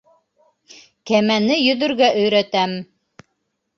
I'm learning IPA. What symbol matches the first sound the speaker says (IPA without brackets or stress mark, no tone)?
k